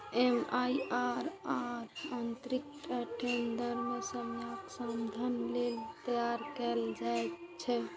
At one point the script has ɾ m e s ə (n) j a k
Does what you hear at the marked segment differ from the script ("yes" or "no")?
yes